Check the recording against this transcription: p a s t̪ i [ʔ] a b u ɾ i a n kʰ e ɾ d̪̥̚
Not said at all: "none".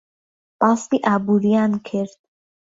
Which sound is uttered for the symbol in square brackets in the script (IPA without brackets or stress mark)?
ʔ